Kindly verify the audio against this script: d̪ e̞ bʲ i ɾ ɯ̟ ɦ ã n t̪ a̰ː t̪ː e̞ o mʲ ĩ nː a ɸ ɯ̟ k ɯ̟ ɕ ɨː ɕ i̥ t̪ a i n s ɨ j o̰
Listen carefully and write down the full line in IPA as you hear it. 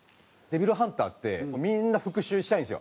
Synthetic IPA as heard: d̪ e̞ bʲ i ɾ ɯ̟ ɦ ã n t̪ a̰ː t̪ː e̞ o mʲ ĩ nː a ɸ ɯ̟ k ɯ̟ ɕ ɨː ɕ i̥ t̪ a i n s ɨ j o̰